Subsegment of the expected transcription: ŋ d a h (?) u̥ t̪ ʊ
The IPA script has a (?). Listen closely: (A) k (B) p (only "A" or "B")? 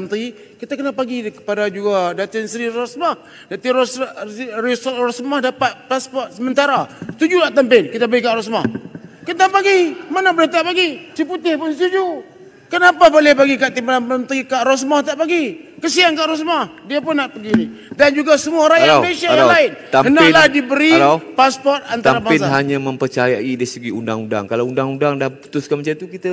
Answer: B